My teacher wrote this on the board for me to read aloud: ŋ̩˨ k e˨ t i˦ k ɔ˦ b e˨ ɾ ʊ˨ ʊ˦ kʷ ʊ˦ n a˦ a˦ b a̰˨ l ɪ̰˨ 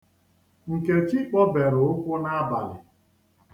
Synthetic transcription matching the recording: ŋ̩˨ k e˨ t͡ʃ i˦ k͡p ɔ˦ b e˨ ɾ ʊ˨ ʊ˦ kʷ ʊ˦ n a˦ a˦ b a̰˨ l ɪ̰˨